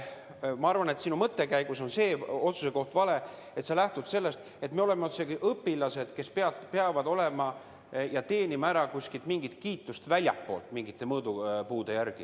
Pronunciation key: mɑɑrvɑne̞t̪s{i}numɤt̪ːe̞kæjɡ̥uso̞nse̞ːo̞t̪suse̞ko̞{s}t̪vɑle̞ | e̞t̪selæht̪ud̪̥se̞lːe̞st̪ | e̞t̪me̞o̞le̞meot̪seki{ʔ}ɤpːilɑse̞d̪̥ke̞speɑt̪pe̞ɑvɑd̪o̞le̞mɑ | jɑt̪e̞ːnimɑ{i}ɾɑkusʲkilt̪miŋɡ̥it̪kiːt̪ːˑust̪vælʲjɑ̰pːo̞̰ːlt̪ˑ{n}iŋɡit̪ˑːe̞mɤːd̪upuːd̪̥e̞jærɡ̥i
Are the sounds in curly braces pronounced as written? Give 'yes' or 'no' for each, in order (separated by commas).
yes, no, yes, no, no